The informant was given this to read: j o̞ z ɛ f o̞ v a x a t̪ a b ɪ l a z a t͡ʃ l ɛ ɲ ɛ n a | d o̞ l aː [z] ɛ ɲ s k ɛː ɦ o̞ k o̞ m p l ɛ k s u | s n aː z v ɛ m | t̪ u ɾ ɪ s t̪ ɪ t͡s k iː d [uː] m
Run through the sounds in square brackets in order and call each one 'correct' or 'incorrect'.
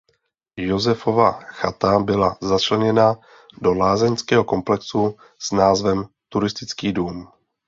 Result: correct, correct

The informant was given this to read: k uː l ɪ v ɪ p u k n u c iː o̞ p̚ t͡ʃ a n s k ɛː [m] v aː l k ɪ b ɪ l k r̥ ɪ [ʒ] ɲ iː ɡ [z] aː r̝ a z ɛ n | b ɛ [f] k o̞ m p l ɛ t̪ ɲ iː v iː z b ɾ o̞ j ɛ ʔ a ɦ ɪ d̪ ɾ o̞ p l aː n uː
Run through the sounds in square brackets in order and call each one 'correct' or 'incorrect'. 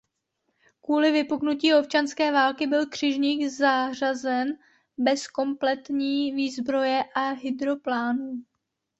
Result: incorrect: none, correct, correct, incorrect: s

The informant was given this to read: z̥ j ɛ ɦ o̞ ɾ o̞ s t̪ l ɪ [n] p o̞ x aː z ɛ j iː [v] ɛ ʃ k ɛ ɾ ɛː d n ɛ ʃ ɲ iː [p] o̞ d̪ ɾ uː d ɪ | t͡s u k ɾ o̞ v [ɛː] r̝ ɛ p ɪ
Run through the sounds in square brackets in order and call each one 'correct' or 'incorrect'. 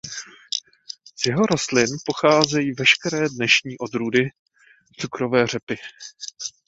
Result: correct, correct, incorrect: ʔ, correct

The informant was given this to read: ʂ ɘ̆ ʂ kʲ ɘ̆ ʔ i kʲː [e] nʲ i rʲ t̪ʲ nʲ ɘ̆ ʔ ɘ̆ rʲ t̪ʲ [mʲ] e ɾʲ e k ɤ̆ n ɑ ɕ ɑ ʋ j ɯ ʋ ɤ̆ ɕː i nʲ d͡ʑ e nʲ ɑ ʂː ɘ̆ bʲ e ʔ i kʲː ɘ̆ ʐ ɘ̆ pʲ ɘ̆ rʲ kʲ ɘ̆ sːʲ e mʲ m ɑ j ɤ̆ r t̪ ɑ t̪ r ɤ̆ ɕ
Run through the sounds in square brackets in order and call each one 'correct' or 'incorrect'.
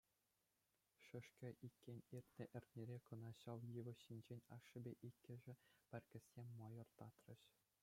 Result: correct, incorrect: nʲ

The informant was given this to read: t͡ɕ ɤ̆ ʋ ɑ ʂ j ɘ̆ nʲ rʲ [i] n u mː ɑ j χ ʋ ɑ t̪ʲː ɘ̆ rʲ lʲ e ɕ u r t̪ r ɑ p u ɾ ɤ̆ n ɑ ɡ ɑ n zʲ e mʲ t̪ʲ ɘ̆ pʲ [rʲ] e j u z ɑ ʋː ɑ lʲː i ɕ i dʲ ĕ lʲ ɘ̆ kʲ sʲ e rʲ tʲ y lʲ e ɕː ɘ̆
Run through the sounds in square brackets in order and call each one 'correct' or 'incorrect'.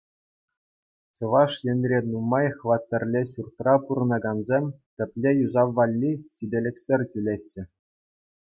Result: incorrect: e, incorrect: lʲ

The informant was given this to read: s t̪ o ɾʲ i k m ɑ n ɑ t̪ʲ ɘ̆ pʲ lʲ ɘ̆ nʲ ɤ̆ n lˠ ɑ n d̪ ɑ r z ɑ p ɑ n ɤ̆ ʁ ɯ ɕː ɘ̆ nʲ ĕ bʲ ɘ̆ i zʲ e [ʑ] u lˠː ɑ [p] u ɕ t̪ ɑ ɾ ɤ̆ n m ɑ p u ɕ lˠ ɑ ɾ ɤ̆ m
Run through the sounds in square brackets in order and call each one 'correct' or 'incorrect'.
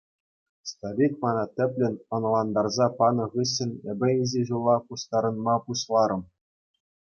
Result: correct, correct

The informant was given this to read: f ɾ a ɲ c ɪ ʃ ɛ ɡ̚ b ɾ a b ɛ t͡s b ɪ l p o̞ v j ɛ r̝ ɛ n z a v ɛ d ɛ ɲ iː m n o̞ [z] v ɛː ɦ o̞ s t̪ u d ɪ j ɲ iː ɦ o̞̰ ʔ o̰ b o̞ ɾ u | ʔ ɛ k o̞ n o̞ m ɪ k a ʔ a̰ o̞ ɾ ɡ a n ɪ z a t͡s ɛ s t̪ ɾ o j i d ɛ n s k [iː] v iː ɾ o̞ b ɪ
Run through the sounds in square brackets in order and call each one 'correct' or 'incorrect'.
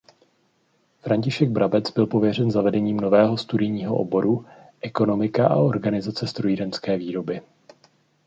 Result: incorrect: none, incorrect: ɛː

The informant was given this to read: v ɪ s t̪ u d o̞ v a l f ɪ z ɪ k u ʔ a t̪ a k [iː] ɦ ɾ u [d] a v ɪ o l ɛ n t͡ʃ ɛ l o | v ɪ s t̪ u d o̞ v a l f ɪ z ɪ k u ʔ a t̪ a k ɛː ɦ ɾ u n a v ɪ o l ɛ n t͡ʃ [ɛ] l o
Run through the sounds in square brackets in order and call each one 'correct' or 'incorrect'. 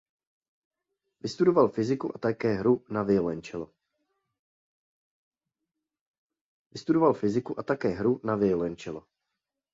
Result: incorrect: ɛː, incorrect: n, correct

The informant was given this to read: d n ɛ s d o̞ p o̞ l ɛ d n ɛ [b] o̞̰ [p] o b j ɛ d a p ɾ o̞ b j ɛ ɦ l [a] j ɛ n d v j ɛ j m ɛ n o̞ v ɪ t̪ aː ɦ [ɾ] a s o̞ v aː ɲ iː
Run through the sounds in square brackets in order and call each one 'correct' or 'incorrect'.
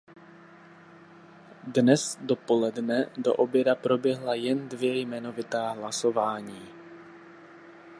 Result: incorrect: d, incorrect: ʔ, correct, incorrect: l

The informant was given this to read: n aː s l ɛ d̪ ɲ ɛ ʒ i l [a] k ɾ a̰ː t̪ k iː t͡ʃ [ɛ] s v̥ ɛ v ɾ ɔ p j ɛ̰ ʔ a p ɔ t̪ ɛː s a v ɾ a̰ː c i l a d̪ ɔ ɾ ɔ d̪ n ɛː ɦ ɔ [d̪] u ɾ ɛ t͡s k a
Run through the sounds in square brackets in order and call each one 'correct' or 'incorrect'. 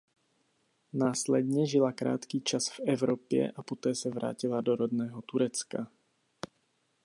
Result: correct, incorrect: a, incorrect: t̪

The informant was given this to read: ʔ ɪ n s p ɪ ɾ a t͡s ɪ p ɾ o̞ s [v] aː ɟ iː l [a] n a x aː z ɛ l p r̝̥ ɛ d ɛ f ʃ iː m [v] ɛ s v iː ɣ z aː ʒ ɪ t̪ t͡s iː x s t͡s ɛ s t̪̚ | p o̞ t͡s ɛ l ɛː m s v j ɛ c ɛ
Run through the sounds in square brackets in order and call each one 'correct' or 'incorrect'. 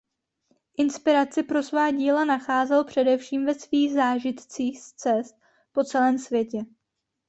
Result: correct, correct, correct

